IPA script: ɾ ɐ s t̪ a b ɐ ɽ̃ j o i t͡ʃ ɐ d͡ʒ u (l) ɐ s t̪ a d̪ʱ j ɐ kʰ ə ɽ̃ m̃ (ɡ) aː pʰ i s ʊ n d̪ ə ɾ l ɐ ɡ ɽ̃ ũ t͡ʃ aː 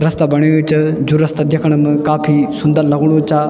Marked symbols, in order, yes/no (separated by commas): no, no